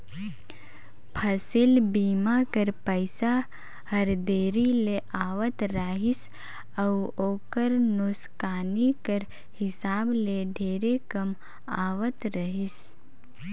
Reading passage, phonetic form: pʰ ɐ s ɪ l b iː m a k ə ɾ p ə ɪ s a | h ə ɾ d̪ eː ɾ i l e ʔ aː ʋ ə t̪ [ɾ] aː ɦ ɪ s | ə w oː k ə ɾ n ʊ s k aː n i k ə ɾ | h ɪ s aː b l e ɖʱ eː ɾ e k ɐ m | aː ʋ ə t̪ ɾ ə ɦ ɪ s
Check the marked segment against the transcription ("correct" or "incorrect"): correct